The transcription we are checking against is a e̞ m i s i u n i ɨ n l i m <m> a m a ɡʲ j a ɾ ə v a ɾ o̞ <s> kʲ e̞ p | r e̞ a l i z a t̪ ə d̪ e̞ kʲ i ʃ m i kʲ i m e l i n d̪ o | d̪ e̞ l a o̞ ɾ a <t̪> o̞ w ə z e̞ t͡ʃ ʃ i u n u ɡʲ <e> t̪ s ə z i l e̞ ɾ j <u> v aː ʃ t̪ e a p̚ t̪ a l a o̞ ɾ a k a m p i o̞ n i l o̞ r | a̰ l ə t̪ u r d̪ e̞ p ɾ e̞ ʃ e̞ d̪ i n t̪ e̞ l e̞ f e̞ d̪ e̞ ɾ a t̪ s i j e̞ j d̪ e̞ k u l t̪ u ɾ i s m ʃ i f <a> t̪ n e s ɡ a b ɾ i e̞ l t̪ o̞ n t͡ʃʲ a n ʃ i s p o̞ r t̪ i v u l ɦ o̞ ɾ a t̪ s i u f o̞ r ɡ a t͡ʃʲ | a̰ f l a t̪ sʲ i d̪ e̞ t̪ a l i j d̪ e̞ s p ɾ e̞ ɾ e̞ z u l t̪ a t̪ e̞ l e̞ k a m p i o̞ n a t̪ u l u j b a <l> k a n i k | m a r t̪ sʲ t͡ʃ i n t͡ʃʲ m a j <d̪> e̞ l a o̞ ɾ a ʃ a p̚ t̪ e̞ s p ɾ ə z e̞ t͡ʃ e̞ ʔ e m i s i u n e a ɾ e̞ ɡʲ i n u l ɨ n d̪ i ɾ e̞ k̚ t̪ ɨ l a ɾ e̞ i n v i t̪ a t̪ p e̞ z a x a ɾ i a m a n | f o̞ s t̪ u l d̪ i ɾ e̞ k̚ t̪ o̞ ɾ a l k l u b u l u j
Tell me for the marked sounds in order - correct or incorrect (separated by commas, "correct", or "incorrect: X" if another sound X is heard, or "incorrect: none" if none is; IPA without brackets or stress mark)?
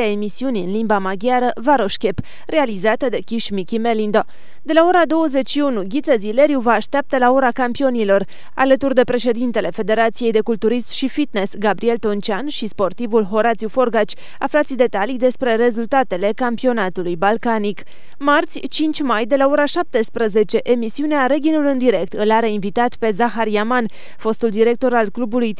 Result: incorrect: b, incorrect: ʃ, incorrect: d̪, incorrect: i, correct, incorrect: i, correct, correct